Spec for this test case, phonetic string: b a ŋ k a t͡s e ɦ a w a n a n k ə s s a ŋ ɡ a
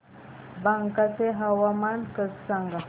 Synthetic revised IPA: b a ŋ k a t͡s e ɦ a w a m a n k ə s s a ŋ ɡ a